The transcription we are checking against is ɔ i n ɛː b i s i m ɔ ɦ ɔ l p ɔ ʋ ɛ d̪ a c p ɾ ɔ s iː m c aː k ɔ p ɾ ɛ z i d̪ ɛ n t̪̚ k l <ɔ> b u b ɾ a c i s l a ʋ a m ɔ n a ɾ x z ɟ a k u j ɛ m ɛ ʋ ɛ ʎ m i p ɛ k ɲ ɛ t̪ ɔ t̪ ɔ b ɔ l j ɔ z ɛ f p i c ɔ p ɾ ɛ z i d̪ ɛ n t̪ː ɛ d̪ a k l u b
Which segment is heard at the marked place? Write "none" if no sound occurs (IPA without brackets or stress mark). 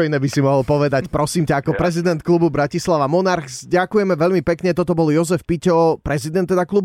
u